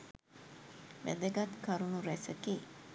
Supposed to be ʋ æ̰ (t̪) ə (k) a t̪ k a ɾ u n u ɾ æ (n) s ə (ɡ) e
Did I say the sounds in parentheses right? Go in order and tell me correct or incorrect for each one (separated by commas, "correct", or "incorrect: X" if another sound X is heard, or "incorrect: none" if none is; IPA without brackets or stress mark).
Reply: incorrect: d̪, incorrect: ɡ, incorrect: none, incorrect: k